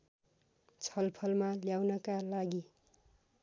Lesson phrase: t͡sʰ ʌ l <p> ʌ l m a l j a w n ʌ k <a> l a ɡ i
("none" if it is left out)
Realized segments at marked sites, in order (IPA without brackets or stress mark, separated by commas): pʰ, a